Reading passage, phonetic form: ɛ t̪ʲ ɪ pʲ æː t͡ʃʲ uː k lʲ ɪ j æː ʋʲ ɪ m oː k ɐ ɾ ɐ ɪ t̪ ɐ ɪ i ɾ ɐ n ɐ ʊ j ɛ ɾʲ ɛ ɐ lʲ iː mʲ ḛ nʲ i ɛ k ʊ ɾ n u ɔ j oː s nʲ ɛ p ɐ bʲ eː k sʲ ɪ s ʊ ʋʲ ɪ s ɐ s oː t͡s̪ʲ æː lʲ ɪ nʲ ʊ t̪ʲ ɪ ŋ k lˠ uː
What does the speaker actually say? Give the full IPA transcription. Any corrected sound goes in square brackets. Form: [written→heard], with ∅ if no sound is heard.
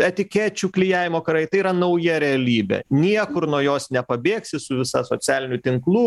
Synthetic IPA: ɛ t̪ʲ ɪ [pʲ→kʲ] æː t͡ʃʲ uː k lʲ ɪ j æː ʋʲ ɪ m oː k ɐ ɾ ɐ ɪ t̪ ɐ ɪ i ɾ ɐ n ɐ ʊ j ɛ ɾʲ ɛ ɐ lʲ iː [mʲ→bʲ] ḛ nʲ i ɛ k ʊ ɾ n u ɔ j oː s nʲ ɛ p ɐ bʲ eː k sʲ ɪ s ʊ ʋʲ ɪ s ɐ s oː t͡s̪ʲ æː lʲ ɪ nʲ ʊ t̪ʲ ɪ ŋ k lˠ uː